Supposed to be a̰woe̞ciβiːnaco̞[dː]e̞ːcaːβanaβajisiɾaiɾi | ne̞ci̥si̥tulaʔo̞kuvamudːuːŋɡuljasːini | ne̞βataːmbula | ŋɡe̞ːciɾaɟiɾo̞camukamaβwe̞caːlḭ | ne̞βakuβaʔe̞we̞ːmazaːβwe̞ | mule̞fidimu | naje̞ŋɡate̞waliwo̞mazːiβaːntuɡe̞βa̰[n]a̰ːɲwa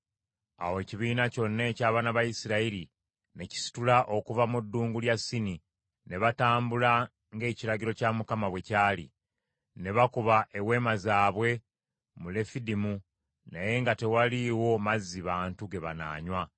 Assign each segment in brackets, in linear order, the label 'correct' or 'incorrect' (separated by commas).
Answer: incorrect, correct